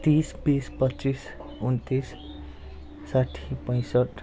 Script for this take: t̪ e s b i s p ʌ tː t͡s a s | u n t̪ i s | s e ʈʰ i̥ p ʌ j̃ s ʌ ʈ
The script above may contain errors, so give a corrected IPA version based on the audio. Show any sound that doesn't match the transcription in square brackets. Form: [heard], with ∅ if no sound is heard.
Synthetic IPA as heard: t̪ [i] s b i s p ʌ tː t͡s [i] s | u n t̪ i s | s [a] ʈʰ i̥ p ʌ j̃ s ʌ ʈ